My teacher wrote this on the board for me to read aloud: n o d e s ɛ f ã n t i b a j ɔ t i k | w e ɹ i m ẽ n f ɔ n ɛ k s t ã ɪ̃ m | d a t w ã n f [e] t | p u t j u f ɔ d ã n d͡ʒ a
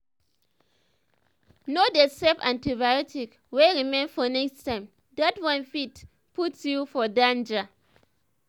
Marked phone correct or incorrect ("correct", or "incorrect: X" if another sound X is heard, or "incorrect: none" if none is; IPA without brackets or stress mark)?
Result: incorrect: i